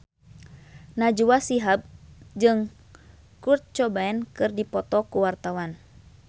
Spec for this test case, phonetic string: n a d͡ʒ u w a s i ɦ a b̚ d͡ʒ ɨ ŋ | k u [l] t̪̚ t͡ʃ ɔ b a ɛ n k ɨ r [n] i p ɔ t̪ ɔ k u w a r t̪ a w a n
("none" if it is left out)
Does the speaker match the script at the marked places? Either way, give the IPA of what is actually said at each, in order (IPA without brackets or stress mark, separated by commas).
r, d